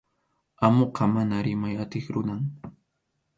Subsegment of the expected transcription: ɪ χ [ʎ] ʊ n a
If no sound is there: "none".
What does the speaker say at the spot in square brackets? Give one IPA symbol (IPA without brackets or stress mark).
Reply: ɾ